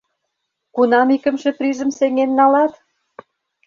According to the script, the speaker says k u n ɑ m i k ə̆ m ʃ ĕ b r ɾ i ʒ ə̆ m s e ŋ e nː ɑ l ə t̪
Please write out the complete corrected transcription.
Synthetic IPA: k u n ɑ m i k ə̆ m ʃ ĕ p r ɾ i ʒ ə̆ m s e ŋ e nː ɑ l ɑ t̪